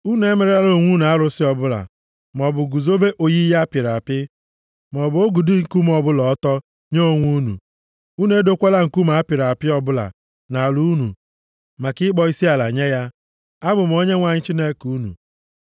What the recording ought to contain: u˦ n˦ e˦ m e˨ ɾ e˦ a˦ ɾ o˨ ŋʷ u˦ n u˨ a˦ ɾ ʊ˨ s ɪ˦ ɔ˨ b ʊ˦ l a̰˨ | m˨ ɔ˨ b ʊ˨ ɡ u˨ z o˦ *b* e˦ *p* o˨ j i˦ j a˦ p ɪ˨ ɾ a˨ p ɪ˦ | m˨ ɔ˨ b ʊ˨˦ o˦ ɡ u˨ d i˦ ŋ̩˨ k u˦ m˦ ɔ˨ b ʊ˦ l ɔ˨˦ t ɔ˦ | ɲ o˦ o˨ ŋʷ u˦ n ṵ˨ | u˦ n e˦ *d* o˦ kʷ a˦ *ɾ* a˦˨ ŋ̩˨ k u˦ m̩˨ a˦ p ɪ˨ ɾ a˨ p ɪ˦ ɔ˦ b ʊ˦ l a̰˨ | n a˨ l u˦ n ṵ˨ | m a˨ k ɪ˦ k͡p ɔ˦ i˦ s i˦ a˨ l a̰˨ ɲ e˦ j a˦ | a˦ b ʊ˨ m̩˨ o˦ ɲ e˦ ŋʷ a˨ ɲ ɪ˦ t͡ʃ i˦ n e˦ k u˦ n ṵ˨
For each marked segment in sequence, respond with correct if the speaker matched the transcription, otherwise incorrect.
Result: correct, incorrect, correct, incorrect

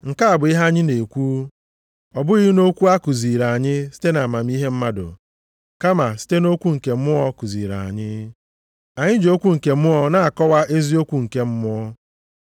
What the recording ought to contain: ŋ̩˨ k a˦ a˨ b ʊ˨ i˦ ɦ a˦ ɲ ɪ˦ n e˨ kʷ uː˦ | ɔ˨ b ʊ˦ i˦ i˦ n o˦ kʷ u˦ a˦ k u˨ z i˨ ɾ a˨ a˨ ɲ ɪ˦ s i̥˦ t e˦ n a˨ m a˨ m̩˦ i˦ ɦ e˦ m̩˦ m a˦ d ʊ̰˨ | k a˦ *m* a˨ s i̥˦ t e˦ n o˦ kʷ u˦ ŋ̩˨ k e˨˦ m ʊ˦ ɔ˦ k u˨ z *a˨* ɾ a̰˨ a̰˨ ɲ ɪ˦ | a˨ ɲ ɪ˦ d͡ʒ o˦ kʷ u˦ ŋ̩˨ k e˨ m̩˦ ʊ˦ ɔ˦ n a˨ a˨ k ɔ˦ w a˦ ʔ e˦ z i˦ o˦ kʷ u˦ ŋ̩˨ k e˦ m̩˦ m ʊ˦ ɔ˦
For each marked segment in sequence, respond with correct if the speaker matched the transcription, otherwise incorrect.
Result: correct, incorrect

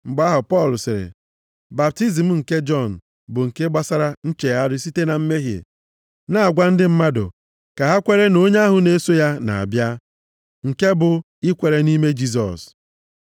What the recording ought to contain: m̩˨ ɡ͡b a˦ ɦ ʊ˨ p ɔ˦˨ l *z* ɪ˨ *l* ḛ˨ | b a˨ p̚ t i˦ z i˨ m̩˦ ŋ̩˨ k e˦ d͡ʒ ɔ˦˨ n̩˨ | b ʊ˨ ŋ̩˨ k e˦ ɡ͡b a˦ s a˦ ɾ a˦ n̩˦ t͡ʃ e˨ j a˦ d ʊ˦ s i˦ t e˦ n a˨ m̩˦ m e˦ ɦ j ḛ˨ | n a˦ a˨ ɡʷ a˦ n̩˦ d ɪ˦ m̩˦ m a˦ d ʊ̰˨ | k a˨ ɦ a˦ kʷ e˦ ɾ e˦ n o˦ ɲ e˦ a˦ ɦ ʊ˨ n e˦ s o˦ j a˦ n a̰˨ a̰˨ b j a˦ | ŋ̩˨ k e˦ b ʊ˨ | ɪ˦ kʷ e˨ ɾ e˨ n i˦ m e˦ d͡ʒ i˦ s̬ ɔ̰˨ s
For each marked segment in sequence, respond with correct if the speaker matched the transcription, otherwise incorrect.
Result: incorrect, incorrect

